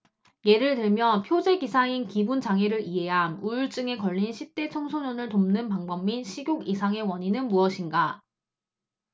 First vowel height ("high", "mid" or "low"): mid